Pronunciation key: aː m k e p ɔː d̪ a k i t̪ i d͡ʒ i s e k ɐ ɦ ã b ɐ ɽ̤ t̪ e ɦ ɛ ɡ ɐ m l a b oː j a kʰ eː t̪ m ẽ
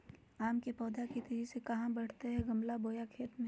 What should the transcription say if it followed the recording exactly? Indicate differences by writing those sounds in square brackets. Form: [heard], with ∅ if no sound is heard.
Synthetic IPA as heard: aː m k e p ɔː d̪ a k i t̪ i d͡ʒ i s e k ɐ ɦ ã b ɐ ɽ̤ t̪ e ɦ ɛ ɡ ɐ m l a b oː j a kʰ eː t̪ m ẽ